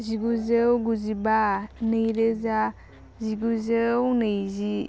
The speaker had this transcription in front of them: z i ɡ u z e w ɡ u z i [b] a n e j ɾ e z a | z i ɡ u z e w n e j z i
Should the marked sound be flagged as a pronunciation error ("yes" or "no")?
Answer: no